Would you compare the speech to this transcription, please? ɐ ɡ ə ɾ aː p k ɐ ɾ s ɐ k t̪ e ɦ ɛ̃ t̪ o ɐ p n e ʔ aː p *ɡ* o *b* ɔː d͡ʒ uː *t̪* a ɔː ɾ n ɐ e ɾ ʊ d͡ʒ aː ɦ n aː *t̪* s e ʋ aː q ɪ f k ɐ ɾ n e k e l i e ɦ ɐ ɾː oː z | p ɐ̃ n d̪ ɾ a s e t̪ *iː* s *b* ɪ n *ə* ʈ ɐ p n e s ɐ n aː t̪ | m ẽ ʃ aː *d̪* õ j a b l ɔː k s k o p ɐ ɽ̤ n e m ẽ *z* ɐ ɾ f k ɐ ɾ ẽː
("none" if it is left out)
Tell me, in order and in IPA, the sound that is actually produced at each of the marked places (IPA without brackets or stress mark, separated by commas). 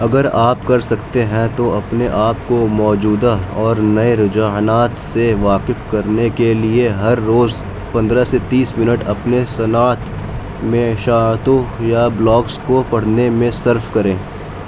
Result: k, m, d̪, t̪, iː, m, ə, t̪, s